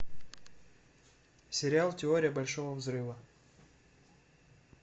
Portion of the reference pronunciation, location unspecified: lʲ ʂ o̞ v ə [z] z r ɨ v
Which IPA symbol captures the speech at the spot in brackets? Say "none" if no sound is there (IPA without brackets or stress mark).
v